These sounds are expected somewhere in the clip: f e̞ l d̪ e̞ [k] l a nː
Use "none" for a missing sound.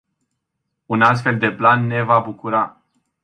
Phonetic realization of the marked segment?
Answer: p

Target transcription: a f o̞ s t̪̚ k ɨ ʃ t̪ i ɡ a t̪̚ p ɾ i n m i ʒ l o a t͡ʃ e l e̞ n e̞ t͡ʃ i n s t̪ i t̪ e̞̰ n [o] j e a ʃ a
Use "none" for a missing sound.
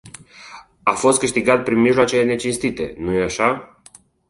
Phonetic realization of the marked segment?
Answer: u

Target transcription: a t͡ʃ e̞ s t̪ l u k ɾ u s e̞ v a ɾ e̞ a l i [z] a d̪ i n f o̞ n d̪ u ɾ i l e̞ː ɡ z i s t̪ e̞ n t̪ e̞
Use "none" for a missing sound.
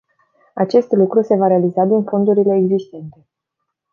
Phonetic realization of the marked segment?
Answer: z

